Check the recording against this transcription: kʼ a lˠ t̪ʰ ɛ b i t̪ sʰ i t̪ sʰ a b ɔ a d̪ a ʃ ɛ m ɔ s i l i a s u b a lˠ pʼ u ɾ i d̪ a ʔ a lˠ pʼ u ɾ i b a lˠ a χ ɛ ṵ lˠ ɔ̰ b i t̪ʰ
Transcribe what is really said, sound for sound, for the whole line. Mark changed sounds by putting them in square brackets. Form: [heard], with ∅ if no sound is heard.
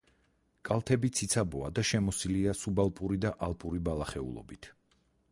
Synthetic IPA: kʼ a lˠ t̪ʰ ɛ b i t̪ sʰ i t̪ sʰ a b ɔ a d̪ a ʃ ɛ m ɔ s i l i a s u b a lˠ pʼ u ɾ i d̪ a ʔ a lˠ pʼ u ɾ i b a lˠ a χ ɛ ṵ lˠ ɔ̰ b i t̪ʰ